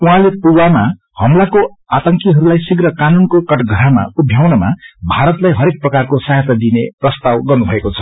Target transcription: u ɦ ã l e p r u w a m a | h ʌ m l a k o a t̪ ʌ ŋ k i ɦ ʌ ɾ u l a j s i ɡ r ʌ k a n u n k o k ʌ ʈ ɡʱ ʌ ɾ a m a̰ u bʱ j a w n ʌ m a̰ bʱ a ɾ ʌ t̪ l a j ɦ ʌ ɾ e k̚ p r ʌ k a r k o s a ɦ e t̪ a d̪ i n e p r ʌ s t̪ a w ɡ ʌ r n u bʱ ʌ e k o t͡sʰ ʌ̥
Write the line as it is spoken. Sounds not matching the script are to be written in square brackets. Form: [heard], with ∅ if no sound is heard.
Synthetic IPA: u ɦ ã l e p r u w a m a | h ʌ m l a k o a t̪ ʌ ŋ k i ɦ ʌ ɾ u l a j s i ɡ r ʌ k a n u n k o k ʌ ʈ ɡʱ ʌ ɾ a m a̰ u bʱ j a w n ʌ m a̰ bʱ a ɾ ʌ t̪ l a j ɦ ʌ ɾ e k̚ p r ʌ k a r k o s a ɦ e t̪ a d̪ i n e p r ʌ s t̪ a w ɡ ʌ r n u bʱ ʌ e k o t͡sʰ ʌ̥